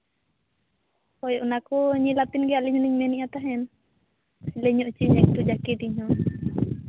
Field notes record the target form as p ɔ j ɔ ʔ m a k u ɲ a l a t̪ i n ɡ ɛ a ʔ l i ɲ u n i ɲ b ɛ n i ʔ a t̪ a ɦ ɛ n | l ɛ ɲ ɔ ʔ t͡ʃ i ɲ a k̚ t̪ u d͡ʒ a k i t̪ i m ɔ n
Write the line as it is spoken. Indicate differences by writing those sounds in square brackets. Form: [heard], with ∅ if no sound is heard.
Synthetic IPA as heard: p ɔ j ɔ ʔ [n] a k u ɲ [i] l a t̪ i n ɡ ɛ a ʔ l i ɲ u n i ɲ [m] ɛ n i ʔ a t̪ a ɦ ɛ n | l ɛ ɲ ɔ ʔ t͡ʃ i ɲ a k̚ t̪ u d͡ʒ a k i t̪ i [ɲ] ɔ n